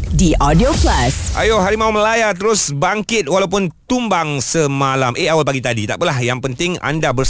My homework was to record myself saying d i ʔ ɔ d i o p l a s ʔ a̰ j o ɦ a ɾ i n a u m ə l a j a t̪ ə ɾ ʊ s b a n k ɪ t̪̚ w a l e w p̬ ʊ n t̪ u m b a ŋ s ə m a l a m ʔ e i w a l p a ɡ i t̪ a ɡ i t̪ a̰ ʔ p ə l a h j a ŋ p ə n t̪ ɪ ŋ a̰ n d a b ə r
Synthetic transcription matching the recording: d i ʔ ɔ d i o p l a s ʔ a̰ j o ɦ a ɾ i m a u m ə l a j a t̪ ə ɾ ʊ s b a ŋ k ɪ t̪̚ w a l a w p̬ ʊ n t̪ u m b a ŋ s ə m a l a m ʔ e a w a l p a ɡ i t̪ a d i t̪ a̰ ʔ p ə l a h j a ŋ p ə n t̪ ɪ ŋ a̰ n d a b ə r